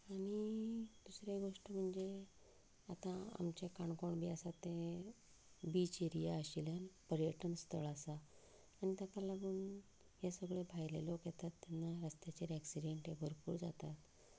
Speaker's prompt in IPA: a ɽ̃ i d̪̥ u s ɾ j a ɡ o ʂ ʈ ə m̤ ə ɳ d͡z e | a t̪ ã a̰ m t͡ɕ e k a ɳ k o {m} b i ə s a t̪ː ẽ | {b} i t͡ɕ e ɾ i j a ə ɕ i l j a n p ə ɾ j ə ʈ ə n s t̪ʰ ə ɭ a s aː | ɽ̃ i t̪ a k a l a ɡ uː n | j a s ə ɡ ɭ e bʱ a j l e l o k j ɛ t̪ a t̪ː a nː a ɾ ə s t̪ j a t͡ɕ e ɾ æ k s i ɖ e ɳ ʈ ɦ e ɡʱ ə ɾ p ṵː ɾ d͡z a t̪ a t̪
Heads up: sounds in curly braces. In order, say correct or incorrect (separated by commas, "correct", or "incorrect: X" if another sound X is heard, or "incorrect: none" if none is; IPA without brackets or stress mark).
incorrect: ɳ, correct